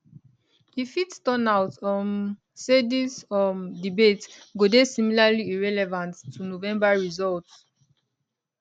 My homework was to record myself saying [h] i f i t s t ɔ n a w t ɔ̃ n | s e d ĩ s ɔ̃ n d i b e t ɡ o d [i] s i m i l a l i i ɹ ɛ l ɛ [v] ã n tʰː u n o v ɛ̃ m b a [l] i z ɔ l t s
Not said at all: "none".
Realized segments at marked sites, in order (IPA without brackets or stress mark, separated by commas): h, e, v, ɹ